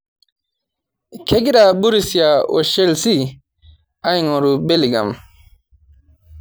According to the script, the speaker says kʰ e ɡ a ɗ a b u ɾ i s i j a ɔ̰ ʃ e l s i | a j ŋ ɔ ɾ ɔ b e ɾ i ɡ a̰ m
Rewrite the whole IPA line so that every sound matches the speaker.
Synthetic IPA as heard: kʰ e ɡ i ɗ a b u ɾ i s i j a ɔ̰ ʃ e l s i | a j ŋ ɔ ɾ u b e l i ɡ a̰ m